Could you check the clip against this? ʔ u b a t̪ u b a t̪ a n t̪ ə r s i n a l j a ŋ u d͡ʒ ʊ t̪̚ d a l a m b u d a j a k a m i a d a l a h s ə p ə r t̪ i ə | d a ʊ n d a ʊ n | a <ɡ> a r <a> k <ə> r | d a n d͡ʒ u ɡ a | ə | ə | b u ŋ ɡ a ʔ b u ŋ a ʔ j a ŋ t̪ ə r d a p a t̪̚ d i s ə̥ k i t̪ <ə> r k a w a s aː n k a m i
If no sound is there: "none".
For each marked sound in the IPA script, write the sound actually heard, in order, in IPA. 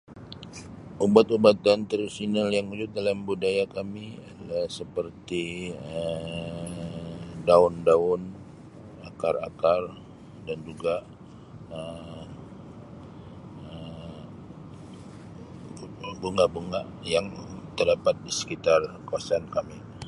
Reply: k, a, a, a

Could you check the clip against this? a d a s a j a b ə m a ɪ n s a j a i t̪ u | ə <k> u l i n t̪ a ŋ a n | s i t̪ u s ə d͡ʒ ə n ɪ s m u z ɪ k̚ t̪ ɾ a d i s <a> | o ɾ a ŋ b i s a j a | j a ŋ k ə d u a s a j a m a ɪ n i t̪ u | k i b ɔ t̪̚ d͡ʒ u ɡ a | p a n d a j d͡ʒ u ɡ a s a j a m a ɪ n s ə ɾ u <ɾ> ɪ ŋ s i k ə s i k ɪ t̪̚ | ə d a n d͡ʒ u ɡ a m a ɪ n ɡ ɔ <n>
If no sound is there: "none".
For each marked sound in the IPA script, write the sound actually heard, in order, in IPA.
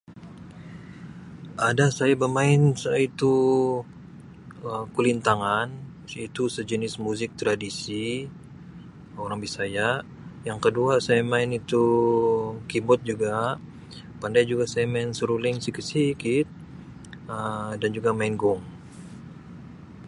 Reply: k, i, l, ŋ

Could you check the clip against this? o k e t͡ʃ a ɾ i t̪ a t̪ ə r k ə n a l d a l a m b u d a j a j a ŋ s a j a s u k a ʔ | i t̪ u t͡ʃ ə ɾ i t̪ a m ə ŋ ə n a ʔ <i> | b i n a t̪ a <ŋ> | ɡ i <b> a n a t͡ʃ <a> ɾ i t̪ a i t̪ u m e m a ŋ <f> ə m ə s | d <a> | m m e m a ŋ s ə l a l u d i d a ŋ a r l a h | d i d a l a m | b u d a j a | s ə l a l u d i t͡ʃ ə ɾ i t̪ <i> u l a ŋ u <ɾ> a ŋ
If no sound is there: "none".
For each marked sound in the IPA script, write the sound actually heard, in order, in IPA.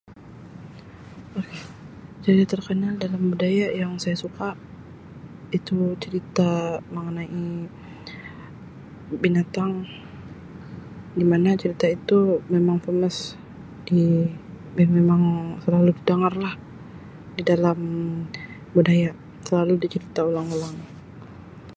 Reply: i, ŋ, m, ə, f, i, a, l

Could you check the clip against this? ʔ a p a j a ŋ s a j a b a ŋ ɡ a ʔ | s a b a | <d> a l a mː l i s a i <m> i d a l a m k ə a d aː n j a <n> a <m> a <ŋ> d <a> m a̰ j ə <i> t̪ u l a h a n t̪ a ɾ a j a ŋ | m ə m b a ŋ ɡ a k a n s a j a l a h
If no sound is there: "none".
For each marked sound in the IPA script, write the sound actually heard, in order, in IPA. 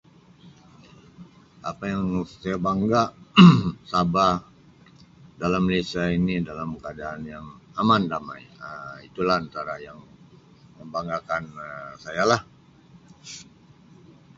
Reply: d, n, ŋ, m, n, a, i

